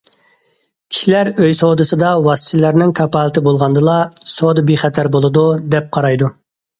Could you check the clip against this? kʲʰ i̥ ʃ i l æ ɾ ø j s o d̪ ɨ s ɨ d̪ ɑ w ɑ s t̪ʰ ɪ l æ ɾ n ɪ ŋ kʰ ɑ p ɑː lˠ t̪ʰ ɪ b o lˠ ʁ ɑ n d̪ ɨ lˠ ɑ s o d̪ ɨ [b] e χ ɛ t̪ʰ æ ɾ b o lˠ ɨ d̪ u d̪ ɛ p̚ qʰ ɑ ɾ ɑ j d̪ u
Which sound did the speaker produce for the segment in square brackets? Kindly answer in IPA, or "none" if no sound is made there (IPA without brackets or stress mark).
b